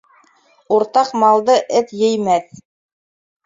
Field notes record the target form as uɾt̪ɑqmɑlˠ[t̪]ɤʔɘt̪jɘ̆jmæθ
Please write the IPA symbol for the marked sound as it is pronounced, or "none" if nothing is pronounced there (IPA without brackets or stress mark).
d̪